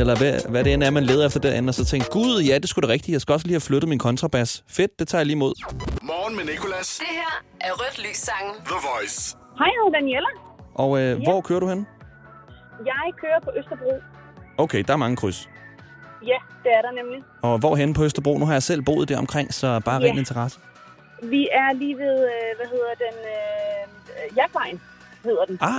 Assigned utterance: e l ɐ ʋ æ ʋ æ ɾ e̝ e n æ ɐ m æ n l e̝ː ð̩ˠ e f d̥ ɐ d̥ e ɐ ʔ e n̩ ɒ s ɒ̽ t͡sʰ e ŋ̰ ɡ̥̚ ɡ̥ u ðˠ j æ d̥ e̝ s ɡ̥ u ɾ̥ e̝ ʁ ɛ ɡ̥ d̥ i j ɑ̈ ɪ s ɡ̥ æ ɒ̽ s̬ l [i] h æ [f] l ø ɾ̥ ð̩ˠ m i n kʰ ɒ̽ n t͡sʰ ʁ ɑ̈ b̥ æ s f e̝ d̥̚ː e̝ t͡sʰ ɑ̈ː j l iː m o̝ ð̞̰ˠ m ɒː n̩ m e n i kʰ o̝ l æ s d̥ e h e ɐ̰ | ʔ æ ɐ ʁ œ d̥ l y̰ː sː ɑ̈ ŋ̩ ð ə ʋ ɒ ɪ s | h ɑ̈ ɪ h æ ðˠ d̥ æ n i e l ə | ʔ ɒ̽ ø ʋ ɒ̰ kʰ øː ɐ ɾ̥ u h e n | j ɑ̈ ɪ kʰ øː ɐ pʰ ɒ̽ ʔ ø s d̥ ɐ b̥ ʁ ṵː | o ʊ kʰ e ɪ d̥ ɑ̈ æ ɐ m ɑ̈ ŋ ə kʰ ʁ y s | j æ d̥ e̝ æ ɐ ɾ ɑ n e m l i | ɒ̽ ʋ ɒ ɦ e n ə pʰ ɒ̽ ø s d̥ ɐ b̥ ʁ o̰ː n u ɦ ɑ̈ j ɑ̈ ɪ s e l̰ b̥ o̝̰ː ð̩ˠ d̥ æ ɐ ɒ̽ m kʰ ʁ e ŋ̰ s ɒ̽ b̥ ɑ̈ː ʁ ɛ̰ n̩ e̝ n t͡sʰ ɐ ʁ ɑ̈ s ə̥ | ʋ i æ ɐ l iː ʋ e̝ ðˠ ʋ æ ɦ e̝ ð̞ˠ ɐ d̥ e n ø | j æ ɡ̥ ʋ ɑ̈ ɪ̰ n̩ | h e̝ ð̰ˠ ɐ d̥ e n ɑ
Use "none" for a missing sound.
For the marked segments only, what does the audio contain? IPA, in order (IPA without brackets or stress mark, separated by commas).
iː, f